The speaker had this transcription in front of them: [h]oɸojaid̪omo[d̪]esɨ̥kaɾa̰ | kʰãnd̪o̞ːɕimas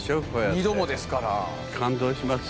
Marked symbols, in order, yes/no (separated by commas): no, yes